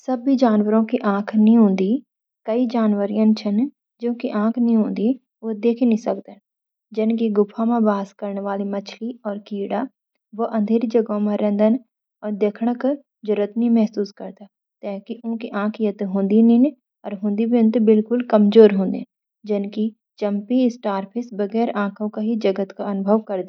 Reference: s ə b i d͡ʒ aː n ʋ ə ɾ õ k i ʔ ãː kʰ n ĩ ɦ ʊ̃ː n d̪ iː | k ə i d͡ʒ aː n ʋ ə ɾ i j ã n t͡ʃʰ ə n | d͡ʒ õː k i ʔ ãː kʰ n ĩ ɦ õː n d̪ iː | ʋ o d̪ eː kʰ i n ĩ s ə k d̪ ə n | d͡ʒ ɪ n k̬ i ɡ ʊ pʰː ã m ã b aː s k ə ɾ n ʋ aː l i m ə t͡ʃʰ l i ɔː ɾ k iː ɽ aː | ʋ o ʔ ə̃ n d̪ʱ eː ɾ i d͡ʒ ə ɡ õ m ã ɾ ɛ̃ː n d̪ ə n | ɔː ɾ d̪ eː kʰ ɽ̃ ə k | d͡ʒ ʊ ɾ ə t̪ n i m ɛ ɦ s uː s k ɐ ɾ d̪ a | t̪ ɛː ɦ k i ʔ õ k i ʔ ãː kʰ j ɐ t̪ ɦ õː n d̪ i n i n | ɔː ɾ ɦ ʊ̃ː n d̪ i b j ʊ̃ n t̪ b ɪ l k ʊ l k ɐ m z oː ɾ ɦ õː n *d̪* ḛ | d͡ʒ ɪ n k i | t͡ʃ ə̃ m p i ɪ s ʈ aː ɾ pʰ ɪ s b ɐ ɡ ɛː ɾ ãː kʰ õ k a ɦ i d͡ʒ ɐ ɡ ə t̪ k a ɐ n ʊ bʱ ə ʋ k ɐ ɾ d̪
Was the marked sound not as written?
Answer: no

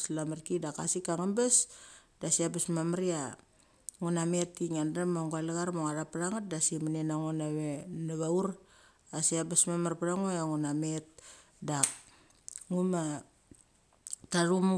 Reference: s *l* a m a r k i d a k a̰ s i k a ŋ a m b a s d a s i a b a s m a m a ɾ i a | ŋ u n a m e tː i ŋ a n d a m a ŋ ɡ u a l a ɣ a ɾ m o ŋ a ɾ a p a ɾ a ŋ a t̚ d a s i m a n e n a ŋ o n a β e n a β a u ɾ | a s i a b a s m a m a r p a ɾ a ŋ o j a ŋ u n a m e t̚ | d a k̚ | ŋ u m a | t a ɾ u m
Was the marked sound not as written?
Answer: no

